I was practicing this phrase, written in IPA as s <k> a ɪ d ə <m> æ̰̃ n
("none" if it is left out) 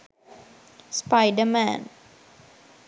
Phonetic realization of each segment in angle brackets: p, m

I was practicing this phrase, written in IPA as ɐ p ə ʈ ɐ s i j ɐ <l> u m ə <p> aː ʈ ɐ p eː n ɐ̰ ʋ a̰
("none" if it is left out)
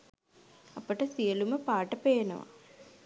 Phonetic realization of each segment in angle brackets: l, p

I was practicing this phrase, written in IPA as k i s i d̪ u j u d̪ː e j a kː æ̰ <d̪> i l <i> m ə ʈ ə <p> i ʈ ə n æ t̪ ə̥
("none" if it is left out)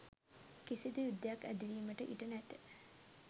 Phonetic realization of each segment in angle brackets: d̪, iː, ʔ

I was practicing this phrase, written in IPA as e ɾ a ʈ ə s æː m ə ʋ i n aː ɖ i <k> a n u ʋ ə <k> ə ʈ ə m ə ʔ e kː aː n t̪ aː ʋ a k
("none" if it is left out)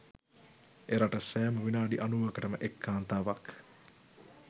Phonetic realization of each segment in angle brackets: ʔ, k

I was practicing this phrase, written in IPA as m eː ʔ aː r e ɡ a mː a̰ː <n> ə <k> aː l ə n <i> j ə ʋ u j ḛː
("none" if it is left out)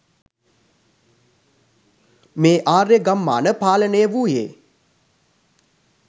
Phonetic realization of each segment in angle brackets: n, p, e

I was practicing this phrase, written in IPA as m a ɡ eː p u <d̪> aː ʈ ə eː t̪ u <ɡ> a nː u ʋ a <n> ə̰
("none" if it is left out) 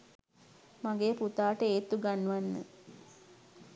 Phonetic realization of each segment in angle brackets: t̪, ɡ, nː

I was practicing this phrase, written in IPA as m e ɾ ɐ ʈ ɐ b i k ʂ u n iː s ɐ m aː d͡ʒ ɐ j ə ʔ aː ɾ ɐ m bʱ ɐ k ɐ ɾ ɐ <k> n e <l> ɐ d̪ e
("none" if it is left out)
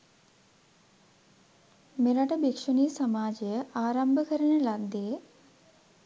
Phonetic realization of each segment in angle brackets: none, l

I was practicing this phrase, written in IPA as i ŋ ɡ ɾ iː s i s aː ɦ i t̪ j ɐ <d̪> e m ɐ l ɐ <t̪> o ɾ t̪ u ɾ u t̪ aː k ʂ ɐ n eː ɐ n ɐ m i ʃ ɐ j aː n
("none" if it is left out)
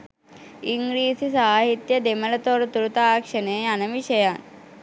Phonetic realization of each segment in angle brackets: d̪, t̪

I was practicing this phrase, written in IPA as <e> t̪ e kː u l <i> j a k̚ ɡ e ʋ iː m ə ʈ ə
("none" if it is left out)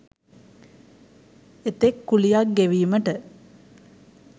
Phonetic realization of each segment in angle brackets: e, i

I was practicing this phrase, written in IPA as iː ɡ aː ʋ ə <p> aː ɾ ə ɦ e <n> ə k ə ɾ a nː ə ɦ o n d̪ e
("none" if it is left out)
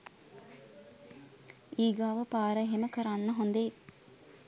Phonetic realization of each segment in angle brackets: p, m

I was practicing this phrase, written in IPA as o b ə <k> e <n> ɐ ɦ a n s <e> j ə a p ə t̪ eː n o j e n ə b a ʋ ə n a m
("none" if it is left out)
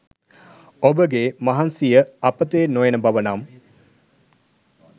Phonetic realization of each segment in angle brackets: ɡ, m, i

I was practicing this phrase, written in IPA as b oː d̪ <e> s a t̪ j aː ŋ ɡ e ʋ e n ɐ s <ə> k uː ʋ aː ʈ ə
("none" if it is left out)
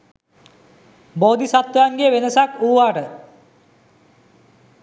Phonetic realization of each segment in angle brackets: i, a

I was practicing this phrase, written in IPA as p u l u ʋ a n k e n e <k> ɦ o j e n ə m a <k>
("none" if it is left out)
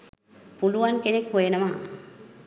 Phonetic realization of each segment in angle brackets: k, none

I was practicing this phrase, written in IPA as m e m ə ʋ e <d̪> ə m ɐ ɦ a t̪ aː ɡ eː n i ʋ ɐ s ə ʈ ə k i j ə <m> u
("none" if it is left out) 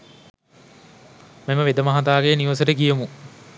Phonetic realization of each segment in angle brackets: d̪, m

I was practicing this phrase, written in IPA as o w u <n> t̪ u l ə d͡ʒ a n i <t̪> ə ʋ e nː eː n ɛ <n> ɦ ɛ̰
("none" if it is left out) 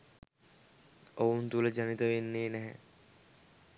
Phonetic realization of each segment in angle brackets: n, t̪, none

